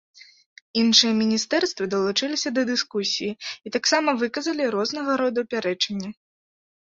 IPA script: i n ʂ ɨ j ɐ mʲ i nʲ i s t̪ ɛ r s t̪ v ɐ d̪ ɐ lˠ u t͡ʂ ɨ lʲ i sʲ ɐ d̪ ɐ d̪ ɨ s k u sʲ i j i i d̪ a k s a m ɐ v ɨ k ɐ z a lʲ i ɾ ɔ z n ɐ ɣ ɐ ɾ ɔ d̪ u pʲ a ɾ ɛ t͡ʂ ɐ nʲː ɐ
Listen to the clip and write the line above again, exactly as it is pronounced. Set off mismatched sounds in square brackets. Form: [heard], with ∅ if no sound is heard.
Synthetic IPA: i n ʂ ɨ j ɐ mʲ i nʲ i s t̪ ɛ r s t̪ v ɐ d̪ ɐ lˠ u t͡ʂ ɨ lʲ i sʲ ɐ d̪ ɐ d̪ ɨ s k u sʲ i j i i [t̪] a k s a m ɐ v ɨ k ɐ z [ɐ] lʲ i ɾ ɔ z n ɐ ɣ ɐ ɾ ɔ d̪ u pʲ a ɾ ɛ t͡ʂ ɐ nʲː ɐ